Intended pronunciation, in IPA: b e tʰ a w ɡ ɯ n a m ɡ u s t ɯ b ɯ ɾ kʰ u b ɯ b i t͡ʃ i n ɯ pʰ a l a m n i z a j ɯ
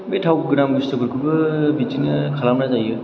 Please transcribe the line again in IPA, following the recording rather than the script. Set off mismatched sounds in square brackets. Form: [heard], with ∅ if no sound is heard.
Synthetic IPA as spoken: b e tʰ a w ɡ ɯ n a m ɡ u s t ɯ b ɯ ɾ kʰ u b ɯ b i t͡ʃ i n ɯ [kʰ] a l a m n [a] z a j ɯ